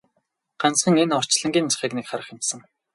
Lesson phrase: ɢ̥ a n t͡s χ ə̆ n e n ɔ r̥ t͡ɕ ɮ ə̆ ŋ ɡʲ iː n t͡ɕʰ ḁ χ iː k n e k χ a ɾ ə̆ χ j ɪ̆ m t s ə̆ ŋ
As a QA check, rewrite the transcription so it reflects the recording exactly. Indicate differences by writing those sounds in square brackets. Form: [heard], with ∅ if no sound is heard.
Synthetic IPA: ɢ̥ a n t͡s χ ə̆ [ŋ] e n ɔ r̥ t͡ɕ ɮ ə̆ ŋ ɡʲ iː n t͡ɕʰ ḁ χ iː k n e k χ a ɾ ə̆ χ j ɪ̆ m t s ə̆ ŋ

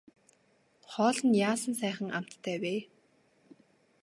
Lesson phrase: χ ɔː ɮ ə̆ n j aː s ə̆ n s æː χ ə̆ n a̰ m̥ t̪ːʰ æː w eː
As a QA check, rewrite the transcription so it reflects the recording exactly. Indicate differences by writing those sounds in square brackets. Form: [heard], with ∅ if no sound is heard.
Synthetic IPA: χ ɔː ɮ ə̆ n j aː s ə̆ n s æː χ ə̆ [ŋ] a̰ m̥ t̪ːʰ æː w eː

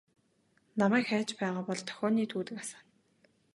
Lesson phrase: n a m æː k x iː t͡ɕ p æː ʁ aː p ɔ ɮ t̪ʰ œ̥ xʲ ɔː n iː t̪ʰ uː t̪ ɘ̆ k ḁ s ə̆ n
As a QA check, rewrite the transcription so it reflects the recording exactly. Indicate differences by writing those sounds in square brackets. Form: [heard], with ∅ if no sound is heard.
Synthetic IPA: n a m æː k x [æː] t͡ɕ p æː ʁ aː p ɔ ɮ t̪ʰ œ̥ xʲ ɔː n iː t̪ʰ uː t̪ ɘ̆ k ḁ s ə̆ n

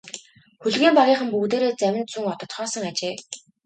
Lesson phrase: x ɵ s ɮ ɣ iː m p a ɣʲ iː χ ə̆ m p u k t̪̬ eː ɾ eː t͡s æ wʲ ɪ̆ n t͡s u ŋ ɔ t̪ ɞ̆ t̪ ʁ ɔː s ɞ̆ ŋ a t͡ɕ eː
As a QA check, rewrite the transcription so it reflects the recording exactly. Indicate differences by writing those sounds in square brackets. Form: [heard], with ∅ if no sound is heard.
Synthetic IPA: x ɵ [∅] ɮ ɣ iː m p a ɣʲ iː χ ə̆ m p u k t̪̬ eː ɾ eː t͡s æ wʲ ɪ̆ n t͡s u ŋ ɔ t̪ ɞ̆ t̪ [χ] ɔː s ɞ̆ ŋ a t͡ɕ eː

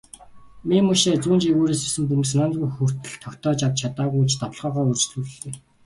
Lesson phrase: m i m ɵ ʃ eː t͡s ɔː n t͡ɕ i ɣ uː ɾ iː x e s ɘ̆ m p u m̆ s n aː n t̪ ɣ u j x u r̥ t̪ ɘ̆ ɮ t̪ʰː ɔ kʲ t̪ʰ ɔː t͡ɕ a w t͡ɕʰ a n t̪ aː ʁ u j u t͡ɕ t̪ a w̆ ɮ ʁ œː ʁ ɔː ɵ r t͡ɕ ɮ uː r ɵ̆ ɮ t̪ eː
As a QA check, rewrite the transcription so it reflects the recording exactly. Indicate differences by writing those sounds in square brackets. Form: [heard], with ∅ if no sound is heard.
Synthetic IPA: m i m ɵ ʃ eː t͡s [uː] n t͡ɕ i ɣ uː ɾ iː [s] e s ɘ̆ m p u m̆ s n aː n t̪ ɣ u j x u r̥ t̪ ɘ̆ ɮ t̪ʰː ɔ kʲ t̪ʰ ɔː t͡ɕ a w t͡ɕʰ a [∅] t̪ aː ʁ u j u t͡ɕ t̪ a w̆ ɮ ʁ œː ʁ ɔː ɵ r t͡ɕ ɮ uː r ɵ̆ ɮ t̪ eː

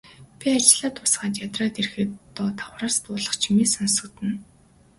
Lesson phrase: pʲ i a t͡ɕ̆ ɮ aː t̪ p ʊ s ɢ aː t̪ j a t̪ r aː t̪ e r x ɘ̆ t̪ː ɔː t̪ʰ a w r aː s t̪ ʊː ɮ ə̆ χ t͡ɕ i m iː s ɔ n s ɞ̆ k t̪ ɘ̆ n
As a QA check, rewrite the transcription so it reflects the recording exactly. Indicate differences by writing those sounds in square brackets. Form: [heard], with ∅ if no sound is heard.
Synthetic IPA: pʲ i a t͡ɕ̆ ɮ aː t̪ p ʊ s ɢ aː t̪ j a t̪ r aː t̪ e r x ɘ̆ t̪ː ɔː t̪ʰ a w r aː s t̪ ʊː ɮ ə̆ χ [t͡ɕʰ] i m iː s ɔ n s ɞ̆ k t̪ ɘ̆ n

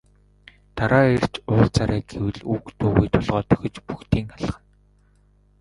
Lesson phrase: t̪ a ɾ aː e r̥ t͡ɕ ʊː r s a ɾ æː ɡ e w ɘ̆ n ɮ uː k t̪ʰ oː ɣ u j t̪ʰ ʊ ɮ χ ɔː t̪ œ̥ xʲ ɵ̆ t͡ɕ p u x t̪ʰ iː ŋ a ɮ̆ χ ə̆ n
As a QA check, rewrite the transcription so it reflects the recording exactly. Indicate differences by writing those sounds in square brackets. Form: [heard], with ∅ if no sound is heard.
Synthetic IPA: t̪ a ɾ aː e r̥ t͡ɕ ʊː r [t͡s] a ɾ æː ɡ e w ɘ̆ [∅] ɮ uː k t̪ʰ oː ɣ u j t̪ʰ ʊ ɮ [ʁ] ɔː t̪ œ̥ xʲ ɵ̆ t͡ɕ p u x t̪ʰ iː ŋ a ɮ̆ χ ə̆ n

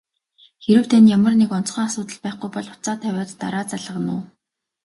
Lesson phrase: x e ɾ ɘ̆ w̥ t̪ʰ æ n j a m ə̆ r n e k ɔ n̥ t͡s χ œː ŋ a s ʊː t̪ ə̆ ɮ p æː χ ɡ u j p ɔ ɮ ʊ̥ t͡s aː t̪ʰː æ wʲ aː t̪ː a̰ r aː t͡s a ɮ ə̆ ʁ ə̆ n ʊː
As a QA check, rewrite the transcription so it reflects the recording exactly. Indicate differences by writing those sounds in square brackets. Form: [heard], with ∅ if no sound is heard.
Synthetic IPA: x e ɾ ɘ̆ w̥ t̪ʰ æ n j a m ə̆ r n e k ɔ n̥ t͡s χ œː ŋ a s ʊː t̪ ə̆ ɮ p æː χ ɡ u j p ɔ ɮ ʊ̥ t͡s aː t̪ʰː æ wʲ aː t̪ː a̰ [ɾ] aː t͡s a ɮ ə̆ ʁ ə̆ n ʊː

